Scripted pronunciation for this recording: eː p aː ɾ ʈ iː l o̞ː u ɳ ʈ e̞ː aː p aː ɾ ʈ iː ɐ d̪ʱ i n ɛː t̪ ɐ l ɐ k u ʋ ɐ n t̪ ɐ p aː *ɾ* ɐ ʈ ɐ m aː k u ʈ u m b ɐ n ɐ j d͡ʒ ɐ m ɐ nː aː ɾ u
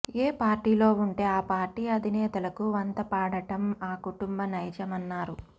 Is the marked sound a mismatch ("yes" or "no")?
yes